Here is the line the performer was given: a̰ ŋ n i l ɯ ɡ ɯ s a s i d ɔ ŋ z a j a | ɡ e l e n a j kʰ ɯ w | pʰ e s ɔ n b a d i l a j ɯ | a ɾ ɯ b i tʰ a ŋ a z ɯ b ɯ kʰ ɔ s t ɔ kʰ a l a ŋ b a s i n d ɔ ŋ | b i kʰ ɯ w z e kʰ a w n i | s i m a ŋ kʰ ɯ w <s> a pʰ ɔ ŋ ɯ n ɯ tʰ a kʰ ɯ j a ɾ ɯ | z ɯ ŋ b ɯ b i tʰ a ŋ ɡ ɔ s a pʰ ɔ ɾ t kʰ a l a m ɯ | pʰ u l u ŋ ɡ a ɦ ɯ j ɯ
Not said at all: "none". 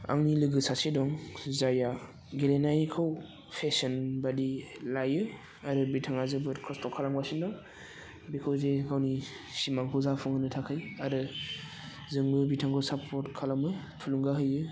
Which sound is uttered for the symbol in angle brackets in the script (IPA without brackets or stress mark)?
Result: z